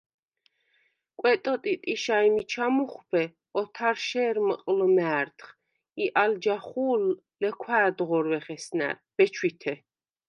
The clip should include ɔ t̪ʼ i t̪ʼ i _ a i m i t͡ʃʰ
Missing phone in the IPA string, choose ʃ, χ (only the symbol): ʃ